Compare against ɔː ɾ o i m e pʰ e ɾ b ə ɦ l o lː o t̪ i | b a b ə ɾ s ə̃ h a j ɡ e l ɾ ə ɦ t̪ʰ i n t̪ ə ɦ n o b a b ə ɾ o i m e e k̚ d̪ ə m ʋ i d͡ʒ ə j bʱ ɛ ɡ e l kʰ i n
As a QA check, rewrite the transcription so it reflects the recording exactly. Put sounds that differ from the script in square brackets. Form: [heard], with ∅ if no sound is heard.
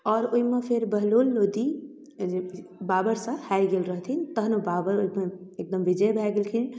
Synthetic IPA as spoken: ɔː ɾ o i m e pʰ e ɾ b ə ɦ l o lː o [d̪] i | b a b ə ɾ s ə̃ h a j ɡ e l ɾ ə ɦ t̪ʰ i n t̪ ə ɦ n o b a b ə ɾ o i m e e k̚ d̪ ə m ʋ i d͡ʒ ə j bʱ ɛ ɡ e l kʰ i n